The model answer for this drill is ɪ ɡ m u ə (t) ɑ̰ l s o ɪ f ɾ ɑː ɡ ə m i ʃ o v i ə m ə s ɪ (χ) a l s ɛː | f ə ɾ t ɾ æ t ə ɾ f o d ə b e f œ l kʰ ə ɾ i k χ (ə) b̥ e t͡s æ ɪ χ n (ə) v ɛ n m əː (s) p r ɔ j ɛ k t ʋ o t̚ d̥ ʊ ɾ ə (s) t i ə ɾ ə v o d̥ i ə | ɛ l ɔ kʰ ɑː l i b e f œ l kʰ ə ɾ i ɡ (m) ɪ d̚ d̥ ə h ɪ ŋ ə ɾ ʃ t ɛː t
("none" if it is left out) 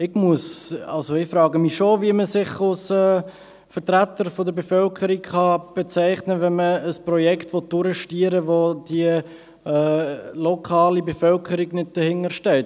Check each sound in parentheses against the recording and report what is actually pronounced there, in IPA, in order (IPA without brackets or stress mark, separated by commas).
s, χ, ɑ, ə, s, ʃ, n